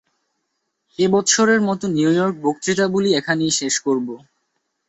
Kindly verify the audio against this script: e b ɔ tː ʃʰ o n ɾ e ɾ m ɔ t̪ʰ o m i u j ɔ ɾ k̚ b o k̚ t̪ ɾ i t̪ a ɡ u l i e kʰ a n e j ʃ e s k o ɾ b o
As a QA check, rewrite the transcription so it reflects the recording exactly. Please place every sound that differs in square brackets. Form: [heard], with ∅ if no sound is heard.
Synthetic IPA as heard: e b ɔ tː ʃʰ o [∅] ɾ e ɾ m ɔ [t̪] o [n] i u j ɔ ɾ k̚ b o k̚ t̪ ɾ i t̪ a [b] u l i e kʰ a n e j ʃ e [ʃ] k o ɾ b o